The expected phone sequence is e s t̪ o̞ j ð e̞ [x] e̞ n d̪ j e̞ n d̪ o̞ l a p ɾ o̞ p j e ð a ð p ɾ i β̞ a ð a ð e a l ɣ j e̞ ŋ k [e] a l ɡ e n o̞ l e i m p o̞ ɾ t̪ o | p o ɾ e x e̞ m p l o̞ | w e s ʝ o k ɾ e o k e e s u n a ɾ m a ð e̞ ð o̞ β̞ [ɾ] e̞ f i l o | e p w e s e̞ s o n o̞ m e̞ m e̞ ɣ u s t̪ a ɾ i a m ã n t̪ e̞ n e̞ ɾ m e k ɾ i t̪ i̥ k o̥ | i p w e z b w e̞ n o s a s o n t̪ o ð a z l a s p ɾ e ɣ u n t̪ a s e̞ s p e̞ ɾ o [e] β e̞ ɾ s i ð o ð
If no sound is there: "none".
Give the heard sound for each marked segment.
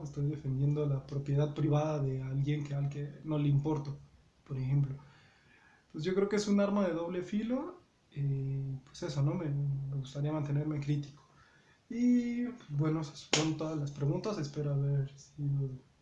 f, e, l, a

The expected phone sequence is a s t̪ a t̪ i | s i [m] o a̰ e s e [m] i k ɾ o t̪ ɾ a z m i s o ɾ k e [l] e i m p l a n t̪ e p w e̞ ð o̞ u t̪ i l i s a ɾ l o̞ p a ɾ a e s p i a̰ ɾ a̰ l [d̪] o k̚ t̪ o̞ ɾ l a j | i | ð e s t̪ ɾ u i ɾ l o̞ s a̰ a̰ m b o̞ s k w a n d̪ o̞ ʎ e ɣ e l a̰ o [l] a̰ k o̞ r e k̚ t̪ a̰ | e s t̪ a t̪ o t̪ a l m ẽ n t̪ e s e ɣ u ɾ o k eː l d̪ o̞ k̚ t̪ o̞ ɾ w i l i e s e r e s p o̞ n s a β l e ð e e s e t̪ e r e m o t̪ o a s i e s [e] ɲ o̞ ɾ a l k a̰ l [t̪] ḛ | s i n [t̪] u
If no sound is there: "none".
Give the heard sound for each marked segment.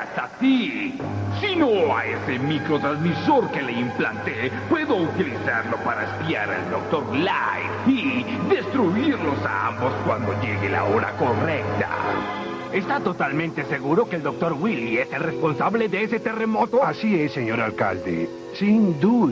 n, m, l, d̪, ɾ, e, d̪, d̪

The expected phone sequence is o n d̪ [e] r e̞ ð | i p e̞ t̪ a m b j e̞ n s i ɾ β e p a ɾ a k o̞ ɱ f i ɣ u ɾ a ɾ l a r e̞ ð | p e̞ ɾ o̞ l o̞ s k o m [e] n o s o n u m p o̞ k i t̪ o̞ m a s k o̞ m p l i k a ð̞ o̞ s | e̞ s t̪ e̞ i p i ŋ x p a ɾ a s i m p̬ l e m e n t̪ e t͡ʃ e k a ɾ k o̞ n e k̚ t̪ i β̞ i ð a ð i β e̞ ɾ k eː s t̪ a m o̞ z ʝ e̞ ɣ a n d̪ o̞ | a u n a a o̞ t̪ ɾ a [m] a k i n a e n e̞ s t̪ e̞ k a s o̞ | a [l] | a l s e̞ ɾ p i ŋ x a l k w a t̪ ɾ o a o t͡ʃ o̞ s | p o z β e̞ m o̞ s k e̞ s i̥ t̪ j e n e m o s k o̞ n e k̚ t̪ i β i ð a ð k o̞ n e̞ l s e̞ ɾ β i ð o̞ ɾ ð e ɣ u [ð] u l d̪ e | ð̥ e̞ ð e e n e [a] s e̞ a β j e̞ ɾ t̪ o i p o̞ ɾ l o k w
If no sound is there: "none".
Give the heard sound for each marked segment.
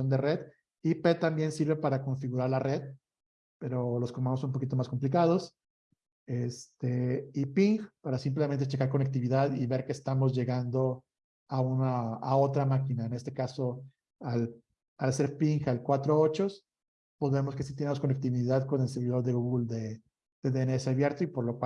e, a, m, l, ɣ, e

